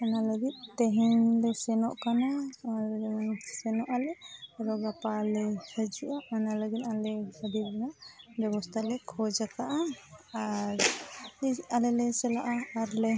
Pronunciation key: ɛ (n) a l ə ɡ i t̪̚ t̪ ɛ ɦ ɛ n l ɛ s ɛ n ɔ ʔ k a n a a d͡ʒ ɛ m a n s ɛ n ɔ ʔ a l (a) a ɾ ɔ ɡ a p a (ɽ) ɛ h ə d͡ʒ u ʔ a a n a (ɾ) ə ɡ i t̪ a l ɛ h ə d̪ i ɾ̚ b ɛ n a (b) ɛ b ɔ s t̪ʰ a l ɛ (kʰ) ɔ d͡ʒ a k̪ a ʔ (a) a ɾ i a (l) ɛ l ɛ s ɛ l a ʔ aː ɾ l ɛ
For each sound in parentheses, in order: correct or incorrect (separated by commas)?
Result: correct, incorrect, incorrect, incorrect, correct, correct, correct, correct